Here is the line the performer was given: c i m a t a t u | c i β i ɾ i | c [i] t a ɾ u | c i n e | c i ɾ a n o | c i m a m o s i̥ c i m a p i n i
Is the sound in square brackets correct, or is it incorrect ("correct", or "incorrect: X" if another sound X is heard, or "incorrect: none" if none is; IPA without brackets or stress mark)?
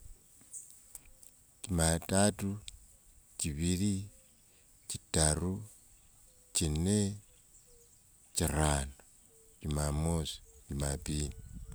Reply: correct